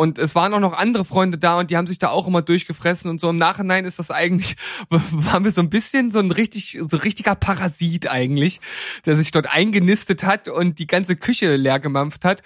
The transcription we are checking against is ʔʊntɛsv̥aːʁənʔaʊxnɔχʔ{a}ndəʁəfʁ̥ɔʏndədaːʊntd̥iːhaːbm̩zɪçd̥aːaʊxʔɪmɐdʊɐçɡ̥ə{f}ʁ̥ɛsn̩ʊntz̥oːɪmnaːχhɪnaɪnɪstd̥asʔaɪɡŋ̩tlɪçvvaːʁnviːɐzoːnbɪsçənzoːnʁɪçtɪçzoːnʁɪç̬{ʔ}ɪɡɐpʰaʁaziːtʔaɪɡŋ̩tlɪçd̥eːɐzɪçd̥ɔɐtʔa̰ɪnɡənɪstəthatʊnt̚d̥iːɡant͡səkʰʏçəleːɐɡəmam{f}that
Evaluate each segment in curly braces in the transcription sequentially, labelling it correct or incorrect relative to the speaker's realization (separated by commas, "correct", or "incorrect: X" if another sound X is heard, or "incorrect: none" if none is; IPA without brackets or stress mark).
correct, correct, incorrect: t, correct